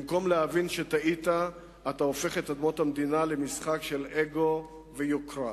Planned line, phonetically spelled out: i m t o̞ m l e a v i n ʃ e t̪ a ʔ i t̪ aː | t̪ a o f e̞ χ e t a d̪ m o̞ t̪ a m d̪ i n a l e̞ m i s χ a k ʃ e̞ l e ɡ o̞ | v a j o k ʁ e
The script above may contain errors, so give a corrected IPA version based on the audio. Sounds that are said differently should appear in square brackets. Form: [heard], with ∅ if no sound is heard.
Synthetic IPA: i m [k] o̞ m l e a v i n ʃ e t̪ a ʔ i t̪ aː | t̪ a o f e̞ χ e t a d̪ m o̞ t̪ a m d̪ i n a l e̞ m i s χ a k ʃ e̞ l e ɡ o̞ | v [e] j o k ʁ [a]

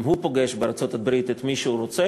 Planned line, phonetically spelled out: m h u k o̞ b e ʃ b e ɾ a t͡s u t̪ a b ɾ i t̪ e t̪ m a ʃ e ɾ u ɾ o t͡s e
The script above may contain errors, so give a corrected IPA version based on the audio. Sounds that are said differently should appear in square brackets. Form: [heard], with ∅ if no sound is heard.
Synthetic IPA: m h u [p] o̞ [ɡ] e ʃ b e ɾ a t͡s [o] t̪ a b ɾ i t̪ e t̪ m [i] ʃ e [∅] u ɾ o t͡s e

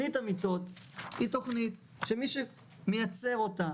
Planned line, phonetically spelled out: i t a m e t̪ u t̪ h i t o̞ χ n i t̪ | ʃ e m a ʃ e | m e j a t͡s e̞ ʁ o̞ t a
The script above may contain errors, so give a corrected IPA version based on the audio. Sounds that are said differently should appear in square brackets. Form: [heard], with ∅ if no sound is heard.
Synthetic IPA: i t a m [i] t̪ [o] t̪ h i t o̞ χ n i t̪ | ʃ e m [i] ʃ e | m e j a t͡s e̞ ʁ o̞ t a

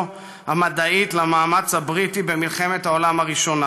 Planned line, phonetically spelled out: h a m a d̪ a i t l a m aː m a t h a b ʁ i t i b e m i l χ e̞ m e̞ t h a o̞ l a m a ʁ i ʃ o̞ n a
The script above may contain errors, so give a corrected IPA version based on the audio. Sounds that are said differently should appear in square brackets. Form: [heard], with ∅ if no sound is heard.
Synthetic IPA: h a m a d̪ a i t l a m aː m a [t͡s] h a b ʁ i t i b e m i l χ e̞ m e̞ t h a o̞ l a m a ʁ i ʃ o̞ n a

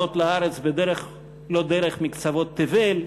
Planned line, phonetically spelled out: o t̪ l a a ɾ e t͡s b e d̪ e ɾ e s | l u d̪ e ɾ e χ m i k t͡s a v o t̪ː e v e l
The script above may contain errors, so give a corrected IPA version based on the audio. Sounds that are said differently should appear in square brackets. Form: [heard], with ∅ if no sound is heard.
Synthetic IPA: o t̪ l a a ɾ e t͡s b e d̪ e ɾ e [χ] | l [o] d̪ e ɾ e χ m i k t͡s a v o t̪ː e v e l

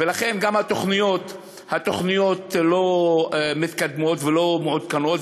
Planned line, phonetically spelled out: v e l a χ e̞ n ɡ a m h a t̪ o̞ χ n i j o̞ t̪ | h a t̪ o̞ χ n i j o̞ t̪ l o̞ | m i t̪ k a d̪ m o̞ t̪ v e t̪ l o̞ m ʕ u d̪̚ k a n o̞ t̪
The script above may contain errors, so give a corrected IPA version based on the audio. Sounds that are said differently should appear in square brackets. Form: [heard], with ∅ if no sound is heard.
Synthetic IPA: v e l a χ e̞ n ɡ a m h a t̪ o̞ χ n i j o̞ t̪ | h a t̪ o̞ χ n i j o̞ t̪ l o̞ | m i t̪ k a d̪ m o̞ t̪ v e [∅] l o̞ m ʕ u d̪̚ k a n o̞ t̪

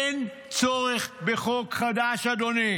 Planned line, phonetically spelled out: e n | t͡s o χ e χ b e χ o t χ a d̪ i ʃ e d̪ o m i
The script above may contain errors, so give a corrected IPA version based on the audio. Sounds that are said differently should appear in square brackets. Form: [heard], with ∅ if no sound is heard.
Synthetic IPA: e n | t͡s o [ʁ] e χ b e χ o [k] χ a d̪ [a] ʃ [a] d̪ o [n] i

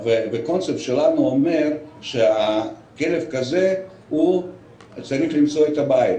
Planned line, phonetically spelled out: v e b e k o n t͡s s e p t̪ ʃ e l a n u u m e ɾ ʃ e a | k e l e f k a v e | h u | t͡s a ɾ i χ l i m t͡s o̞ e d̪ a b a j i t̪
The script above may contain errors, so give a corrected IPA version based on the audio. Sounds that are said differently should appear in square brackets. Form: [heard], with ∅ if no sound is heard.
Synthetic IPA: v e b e k o n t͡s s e p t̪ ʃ e l a n u [o] m e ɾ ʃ e a | k e l e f k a [z] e | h u | t͡s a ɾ i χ l i m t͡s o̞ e [t̪] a b a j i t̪

